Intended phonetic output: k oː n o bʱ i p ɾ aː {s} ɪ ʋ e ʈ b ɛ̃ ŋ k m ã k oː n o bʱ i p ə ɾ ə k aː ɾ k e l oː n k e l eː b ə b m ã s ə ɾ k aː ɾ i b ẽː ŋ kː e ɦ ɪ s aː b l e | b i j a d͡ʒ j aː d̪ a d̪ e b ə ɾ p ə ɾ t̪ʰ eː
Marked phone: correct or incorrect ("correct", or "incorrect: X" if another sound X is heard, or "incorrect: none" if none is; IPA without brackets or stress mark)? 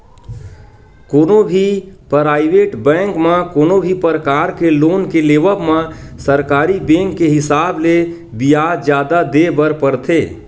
incorrect: none